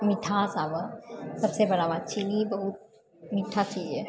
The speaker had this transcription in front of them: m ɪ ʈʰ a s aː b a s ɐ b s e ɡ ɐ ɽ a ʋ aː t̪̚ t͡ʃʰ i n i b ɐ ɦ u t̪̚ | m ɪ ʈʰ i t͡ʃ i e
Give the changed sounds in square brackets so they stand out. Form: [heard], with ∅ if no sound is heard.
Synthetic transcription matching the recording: m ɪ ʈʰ a s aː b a s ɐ b s e [b] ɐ ɽ a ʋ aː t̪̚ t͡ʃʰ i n i b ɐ ɦ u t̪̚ | m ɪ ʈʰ [a] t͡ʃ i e